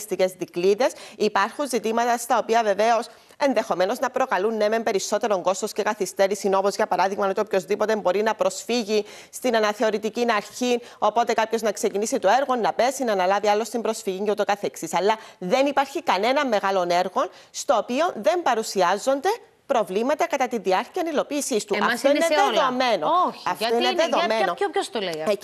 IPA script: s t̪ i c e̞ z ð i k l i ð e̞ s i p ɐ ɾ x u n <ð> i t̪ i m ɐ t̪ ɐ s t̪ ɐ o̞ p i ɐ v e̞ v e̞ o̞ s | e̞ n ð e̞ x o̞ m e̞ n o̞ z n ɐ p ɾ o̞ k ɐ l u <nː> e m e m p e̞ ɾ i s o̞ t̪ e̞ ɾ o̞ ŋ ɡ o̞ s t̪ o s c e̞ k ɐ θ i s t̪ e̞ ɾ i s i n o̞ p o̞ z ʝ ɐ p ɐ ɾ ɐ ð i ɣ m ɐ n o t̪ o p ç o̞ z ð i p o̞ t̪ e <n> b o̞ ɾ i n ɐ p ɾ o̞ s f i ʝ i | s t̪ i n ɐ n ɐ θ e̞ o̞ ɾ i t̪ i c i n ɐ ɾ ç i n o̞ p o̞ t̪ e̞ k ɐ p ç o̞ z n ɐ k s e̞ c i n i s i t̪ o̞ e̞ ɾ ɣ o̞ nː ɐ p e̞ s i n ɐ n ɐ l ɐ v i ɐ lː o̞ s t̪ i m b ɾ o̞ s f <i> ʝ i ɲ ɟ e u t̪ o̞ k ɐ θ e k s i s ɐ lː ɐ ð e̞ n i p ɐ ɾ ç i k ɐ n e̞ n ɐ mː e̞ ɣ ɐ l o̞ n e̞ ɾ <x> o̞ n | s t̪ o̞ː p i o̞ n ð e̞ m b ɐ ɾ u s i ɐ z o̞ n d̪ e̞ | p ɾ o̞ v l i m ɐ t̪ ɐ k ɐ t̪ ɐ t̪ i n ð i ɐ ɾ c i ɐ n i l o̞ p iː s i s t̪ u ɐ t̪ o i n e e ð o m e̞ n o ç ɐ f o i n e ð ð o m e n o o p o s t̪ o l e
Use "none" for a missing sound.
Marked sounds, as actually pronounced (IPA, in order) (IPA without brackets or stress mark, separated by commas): z, nː, m, i, ɣ